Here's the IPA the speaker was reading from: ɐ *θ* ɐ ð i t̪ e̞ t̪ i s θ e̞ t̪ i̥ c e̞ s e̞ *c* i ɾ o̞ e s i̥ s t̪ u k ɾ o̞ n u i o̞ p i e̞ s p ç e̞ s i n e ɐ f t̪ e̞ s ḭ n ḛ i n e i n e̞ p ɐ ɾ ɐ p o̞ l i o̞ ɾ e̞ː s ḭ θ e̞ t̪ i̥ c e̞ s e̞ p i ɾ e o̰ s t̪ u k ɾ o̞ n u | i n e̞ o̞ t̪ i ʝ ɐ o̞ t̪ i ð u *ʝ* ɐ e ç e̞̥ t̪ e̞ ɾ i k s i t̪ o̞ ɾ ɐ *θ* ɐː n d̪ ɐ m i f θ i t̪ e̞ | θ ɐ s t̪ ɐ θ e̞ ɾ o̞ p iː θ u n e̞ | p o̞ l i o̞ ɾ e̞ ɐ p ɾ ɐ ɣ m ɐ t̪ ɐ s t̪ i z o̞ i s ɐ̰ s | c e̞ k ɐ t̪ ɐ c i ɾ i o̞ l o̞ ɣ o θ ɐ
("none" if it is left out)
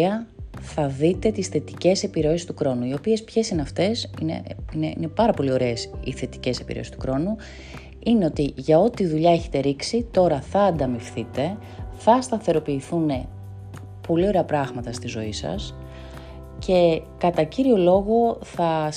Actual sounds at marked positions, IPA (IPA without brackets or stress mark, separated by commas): θ, p, ʎ, θ